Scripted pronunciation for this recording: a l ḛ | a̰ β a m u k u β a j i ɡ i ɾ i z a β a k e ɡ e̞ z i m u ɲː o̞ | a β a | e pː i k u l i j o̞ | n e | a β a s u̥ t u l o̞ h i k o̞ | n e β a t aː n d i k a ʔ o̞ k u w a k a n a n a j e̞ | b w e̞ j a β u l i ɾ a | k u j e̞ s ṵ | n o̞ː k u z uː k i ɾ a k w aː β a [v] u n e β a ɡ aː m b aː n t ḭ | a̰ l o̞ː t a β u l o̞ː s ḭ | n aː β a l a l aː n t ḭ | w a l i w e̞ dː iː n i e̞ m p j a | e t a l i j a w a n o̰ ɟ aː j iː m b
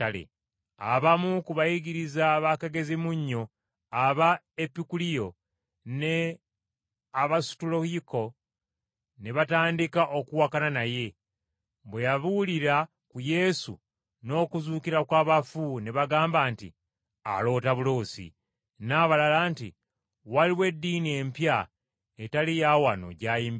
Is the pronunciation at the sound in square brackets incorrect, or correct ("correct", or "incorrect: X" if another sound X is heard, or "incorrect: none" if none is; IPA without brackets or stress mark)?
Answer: incorrect: f